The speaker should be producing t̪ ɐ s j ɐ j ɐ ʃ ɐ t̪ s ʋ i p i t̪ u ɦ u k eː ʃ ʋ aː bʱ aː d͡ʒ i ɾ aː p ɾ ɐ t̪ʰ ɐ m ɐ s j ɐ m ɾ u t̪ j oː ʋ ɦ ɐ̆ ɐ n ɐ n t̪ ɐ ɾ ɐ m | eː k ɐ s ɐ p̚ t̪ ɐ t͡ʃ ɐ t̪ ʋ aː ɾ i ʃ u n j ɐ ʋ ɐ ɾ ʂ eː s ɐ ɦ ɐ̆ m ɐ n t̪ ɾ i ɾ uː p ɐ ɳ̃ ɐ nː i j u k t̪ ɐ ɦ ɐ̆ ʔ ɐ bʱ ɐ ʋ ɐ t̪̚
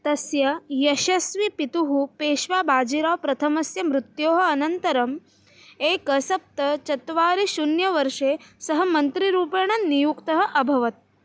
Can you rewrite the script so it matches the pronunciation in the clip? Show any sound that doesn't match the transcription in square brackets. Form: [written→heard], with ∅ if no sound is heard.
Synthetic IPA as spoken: t̪ ɐ s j ɐ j ɐ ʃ ɐ [t̪→∅] s ʋ i p i t̪ u ɦ u [k→p] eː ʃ ʋ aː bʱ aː d͡ʒ i ɾ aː p ɾ ɐ t̪ʰ ɐ m ɐ s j ɐ m ɾ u t̪ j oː [ʋ→∅] ɦ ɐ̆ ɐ n ɐ n t̪ ɐ ɾ ɐ m | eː k ɐ s ɐ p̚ t̪ ɐ t͡ʃ ɐ t̪ ʋ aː ɾ i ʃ u n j ɐ ʋ ɐ ɾ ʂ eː s ɐ ɦ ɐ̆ m ɐ n t̪ ɾ i ɾ uː p ɐ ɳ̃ ɐ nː i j u k t̪ ɐ ɦ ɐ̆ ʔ ɐ bʱ ɐ ʋ ɐ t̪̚